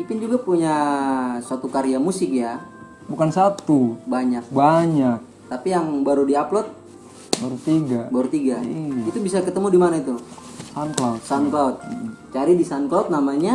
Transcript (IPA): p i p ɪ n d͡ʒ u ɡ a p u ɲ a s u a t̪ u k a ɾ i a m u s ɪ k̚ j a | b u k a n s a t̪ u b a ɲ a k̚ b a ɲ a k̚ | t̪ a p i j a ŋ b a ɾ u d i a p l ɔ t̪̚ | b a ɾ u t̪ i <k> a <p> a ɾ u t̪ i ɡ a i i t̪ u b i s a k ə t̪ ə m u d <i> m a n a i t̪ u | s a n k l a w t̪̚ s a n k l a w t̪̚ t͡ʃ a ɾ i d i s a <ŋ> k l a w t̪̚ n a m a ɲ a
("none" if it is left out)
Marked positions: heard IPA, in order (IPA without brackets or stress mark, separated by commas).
ɡ, b, i, n